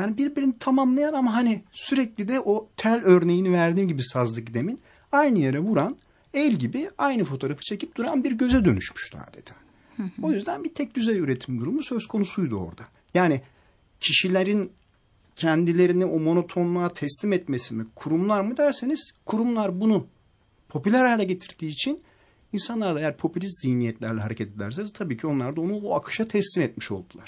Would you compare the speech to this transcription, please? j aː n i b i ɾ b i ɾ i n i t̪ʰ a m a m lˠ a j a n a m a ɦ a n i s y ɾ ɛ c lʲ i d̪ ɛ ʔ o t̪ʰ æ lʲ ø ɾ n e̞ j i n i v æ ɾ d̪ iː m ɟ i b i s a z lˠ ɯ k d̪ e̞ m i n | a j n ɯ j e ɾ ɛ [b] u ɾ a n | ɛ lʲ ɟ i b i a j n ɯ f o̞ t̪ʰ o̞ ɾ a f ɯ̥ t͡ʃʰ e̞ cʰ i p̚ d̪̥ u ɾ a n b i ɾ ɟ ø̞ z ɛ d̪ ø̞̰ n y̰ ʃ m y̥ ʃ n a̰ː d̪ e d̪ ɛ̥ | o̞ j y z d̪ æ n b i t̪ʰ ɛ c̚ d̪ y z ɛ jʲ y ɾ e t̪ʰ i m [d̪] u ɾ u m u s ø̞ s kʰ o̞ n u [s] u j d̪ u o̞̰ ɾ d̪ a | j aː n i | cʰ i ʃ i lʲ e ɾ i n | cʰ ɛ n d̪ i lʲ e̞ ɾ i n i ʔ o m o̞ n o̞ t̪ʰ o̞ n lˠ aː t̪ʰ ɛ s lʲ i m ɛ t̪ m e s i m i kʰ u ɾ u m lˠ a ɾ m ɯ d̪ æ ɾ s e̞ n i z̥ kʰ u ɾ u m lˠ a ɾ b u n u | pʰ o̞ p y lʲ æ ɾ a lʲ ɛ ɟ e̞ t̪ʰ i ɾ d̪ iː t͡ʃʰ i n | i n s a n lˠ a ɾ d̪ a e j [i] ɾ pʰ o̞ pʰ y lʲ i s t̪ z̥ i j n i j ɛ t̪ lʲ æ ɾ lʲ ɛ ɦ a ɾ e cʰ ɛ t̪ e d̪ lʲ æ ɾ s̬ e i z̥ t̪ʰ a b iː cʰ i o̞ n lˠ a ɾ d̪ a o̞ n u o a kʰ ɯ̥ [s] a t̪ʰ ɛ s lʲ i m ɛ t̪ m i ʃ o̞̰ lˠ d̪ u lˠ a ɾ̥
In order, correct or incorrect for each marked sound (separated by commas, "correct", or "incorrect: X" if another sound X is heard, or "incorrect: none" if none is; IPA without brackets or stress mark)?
incorrect: v, correct, correct, incorrect: æ, incorrect: ʃ